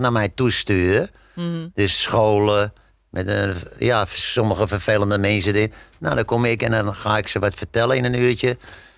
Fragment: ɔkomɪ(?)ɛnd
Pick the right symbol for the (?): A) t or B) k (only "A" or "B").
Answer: B